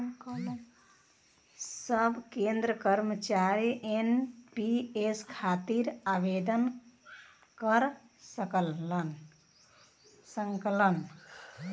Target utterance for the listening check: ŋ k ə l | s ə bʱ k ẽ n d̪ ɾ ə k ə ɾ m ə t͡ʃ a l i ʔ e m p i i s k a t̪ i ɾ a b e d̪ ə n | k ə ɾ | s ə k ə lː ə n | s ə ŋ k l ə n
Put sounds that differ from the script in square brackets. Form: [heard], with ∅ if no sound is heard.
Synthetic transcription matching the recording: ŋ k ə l | s ə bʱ k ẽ n d̪ ɾ ə k ə ɾ m ə t͡ʃ a [ɾ] i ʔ e [n] p i [e] s [kʰ] a t̪ i ɾ a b e d̪ ə n | k ə ɾ | s ə k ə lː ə n | s ə ŋ k l ə n

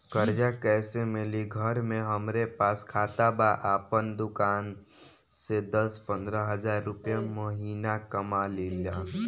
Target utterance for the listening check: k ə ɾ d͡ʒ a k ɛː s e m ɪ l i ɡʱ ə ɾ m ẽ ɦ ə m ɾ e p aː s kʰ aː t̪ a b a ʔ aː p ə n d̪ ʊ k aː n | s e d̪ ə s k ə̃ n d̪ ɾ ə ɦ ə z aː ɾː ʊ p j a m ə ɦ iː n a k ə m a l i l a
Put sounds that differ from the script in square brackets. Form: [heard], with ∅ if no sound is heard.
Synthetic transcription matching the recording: k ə ɾ d͡ʒ a k ɛː s e m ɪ l i ɡʱ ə ɾ m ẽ ɦ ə m ɾ e p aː s kʰ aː t̪ a b a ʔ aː p ə n d̪ ʊ k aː n | s e d̪ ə s [p] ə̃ n d̪ ɾ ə ɦ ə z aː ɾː ʊ p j a m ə ɦ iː n a k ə m a l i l a

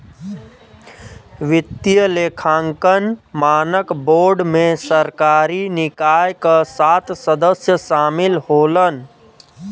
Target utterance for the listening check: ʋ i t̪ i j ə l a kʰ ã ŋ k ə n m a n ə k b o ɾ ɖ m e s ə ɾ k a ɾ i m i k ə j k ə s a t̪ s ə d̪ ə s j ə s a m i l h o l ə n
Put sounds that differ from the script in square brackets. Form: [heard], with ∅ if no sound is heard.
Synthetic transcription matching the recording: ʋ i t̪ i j ə l [e] kʰ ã ŋ k ə n m a n ə k b o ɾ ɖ m e s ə ɾ k a ɾ i [n] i k [a] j k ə s a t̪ s ə d̪ ə s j ə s a m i l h o l ə n

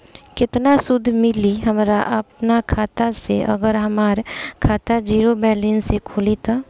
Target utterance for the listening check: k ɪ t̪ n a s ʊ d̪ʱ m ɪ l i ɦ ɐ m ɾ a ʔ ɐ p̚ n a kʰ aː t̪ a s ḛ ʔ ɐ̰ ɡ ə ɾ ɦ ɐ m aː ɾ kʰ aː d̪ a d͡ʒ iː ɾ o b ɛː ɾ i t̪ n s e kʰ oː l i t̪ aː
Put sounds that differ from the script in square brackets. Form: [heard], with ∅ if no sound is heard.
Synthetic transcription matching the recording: k ɪ t̪ n a s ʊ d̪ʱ m ɪ l i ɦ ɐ m ɾ a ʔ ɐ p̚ n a kʰ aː t̪ a s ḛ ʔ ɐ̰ ɡ ə ɾ ɦ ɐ m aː ɾ kʰ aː [t̪] a d͡ʒ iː ɾ o b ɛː [l] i [∅] n s e kʰ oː l i t̪ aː

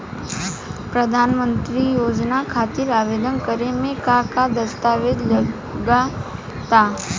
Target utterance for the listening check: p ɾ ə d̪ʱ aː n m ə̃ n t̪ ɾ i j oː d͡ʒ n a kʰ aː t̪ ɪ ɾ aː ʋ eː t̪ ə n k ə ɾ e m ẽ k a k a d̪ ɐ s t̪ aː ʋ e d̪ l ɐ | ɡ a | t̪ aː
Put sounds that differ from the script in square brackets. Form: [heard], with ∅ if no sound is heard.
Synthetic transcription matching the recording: p ɾ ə d̪ʱ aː n m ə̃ n t̪ ɾ i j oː d͡ʒ n a kʰ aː t̪ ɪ ɾ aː ʋ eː [d̪] ə n k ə ɾ e m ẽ k a k a d̪ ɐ s t̪ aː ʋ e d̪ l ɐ | ɡ a | t̪ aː

